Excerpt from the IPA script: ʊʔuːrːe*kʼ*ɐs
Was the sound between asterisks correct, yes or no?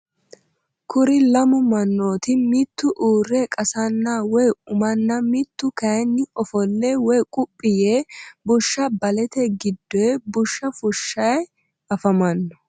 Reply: yes